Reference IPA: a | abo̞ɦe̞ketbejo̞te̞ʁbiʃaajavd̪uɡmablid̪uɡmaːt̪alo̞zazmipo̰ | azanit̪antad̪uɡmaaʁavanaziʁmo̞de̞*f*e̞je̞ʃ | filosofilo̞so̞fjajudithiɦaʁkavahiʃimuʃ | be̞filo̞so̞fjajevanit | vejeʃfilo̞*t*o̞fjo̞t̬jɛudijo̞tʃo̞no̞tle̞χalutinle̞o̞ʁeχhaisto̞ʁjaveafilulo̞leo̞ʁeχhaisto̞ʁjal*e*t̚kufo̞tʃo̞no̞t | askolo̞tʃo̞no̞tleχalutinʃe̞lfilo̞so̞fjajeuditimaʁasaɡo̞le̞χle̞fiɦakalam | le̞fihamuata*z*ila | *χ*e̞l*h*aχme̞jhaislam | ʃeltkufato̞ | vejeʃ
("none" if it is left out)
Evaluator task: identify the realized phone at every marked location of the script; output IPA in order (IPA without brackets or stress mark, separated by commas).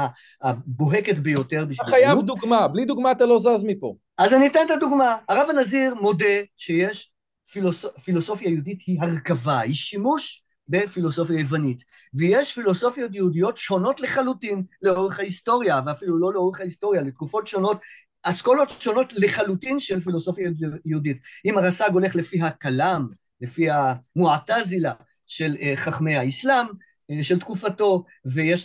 ʃ, s, e, z, ʃ, χ